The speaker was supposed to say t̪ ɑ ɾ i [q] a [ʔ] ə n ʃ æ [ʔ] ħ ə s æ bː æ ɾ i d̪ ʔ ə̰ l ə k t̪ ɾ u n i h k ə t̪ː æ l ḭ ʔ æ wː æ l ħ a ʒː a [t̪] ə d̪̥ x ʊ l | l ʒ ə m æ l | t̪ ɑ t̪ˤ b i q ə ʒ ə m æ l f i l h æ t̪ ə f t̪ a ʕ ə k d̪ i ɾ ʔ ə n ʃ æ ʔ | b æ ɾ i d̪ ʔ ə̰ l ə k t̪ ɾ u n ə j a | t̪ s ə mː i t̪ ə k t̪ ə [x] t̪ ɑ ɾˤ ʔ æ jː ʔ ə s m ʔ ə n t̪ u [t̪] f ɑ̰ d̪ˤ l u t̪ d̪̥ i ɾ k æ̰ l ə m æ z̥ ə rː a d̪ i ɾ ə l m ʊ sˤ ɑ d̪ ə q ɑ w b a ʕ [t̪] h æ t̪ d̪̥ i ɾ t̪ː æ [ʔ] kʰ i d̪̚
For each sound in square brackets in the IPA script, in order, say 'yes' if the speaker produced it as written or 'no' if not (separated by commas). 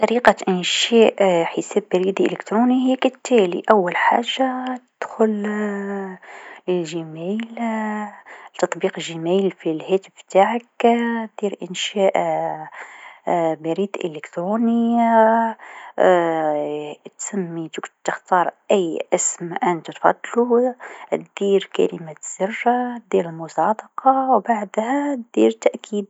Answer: yes, yes, yes, yes, yes, yes, no, yes